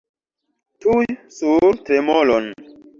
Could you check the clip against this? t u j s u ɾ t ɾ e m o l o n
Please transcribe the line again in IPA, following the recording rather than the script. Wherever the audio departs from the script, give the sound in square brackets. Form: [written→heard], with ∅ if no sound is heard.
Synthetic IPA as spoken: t u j s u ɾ t ɾ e m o l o n